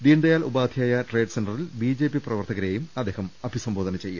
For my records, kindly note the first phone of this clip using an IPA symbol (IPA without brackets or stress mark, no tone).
d̪